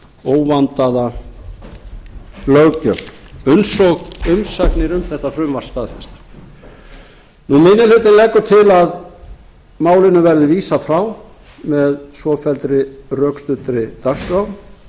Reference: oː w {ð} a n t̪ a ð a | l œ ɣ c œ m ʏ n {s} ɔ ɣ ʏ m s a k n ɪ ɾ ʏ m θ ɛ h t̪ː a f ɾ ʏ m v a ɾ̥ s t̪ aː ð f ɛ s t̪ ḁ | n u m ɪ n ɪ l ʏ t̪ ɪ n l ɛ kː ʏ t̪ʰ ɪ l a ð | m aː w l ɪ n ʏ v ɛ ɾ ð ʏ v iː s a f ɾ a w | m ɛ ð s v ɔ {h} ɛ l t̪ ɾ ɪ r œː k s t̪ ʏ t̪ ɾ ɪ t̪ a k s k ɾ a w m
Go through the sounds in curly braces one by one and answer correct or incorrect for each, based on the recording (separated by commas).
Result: incorrect, correct, incorrect